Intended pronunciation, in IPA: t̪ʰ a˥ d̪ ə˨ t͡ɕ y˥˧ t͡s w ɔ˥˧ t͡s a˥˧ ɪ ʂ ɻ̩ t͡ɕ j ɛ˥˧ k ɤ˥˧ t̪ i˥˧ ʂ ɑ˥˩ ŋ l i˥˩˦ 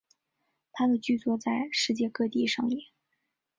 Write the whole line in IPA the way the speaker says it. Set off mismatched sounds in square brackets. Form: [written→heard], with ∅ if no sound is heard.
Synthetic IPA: t̪ʰ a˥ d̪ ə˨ t͡ɕ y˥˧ t͡s w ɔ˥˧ t͡s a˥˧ ɪ ʂ ɻ̩ t͡ɕ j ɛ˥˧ k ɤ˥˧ t̪ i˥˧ ʂ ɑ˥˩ ŋ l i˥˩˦